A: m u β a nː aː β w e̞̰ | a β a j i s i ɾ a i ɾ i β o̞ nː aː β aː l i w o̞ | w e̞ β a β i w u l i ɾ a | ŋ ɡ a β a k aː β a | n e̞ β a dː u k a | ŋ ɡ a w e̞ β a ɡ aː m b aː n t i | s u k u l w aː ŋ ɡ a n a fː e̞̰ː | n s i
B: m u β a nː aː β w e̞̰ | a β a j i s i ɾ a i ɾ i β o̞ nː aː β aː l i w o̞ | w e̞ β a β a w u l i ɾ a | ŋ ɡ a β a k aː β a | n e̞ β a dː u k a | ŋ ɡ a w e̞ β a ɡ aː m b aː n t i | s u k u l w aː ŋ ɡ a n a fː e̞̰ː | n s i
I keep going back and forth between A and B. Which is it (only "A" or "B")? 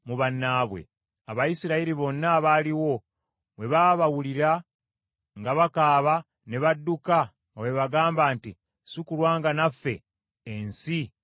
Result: B